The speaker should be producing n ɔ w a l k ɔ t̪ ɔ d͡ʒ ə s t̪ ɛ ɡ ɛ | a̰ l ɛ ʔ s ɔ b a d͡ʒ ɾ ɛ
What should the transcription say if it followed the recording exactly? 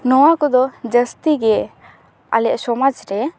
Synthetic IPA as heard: n ɔ w a k ɔ d̪ ɔ d͡ʒ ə s t̪ i ɡ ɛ | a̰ l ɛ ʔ s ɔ m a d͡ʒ ɾ ɛ